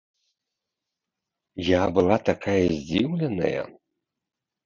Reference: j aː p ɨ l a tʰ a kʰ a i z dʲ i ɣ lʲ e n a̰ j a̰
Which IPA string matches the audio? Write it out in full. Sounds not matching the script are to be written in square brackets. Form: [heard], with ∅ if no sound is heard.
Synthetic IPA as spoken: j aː [b] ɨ l a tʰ a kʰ a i z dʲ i [w] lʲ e n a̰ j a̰